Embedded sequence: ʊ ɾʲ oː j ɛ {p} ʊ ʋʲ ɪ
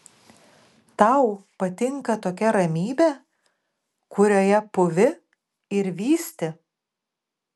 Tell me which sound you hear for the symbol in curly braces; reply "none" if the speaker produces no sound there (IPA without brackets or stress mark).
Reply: p